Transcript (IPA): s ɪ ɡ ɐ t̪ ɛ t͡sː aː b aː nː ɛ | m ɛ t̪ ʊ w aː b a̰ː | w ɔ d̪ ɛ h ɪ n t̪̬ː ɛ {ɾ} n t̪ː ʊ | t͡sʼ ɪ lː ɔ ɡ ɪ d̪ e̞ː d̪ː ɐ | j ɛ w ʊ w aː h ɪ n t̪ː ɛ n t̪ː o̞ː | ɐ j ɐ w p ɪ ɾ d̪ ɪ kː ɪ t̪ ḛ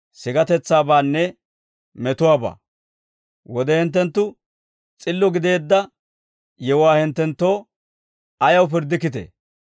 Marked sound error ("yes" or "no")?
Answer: yes